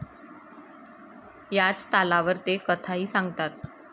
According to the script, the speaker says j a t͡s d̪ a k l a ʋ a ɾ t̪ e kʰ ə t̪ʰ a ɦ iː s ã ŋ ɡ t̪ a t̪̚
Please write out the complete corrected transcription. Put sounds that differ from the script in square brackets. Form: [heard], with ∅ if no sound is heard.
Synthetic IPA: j a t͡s [t̪] a [∅] l a ʋ [ə] ɾ t̪ e [k] ə t̪ʰ a ɦ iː s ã ŋ ɡ t̪ a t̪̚